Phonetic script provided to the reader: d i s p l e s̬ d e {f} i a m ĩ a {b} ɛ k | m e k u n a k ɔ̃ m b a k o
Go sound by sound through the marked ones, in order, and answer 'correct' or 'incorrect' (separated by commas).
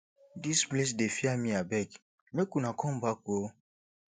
correct, correct